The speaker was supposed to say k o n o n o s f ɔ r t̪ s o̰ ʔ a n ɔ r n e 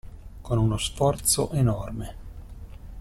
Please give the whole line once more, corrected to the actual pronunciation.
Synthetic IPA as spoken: k o n u n o s f ɔ r t̪ s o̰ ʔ e n ɔ r m e